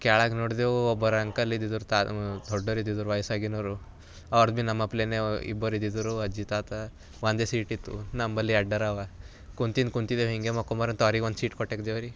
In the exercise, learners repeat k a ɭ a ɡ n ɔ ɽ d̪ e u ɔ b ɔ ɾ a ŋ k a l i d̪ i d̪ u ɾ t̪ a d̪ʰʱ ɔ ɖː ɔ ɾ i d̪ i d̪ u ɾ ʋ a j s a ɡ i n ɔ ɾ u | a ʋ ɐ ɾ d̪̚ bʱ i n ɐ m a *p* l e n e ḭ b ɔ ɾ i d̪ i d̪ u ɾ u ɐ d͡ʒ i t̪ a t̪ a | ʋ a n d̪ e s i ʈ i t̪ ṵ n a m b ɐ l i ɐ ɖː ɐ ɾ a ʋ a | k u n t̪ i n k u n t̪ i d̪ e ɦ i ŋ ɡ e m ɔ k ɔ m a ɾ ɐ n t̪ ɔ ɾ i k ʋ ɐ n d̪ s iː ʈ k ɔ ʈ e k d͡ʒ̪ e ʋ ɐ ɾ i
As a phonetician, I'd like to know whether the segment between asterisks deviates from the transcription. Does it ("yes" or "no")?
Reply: no